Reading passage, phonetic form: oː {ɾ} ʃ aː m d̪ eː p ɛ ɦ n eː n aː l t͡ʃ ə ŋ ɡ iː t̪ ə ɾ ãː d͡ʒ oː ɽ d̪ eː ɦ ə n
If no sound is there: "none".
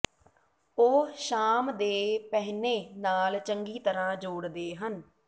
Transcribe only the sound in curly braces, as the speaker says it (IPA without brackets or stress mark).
none